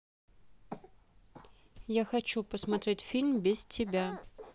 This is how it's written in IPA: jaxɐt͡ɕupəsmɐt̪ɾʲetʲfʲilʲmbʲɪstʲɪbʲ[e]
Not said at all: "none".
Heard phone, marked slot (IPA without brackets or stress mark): a